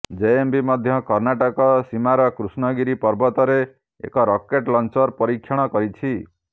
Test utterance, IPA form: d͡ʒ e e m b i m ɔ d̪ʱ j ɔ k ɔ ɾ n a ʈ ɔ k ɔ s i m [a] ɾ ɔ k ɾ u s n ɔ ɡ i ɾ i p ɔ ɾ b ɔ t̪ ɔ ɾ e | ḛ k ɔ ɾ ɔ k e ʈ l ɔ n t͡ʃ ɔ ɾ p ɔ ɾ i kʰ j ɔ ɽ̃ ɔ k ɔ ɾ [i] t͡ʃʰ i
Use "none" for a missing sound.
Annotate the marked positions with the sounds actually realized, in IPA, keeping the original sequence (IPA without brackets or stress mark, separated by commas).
a, i